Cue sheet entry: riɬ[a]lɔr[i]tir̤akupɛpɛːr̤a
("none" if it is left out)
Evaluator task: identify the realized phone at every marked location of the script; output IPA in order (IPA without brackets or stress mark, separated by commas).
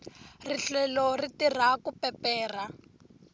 ɛ, i